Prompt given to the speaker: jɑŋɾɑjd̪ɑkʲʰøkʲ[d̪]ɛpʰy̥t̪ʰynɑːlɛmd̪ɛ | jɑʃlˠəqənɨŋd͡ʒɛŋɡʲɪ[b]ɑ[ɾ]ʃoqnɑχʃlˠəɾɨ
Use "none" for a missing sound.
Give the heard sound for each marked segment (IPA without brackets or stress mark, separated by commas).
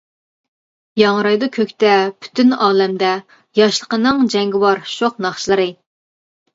t̪, w, ɾ